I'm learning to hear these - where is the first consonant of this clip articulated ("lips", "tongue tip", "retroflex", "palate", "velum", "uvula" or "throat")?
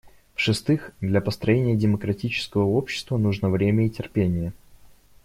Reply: lips